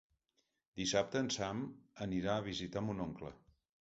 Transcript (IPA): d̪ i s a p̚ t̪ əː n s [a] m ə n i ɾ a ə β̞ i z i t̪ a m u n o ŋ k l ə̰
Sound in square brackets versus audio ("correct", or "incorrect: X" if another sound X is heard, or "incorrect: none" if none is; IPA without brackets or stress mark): correct